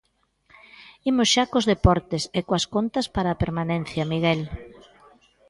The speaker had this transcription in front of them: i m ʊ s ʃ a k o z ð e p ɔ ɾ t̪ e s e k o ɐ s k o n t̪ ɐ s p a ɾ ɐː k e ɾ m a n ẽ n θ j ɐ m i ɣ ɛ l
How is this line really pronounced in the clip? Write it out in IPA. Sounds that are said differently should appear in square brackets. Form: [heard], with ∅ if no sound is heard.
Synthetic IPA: i m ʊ s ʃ a k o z ð e p ɔ ɾ t̪ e s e k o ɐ s k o n t̪ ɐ s p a ɾ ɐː [p] e ɾ m a n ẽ n θ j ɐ m i ɣ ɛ l